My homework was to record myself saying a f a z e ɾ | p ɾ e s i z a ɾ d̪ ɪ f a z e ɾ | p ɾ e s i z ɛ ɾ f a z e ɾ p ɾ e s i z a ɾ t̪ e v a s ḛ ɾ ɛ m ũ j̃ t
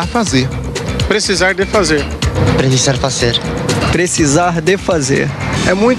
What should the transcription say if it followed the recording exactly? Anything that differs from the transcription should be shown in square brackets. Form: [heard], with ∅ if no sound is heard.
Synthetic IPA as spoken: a f a z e ɾ | p ɾ e s i z a ɾ d̪ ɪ f a z e ɾ | p ɾ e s i z [a] ɾ f a z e ɾ p ɾ e s i z a ɾ [d̪] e [f] a [z] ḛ ɾ ɛ m ũ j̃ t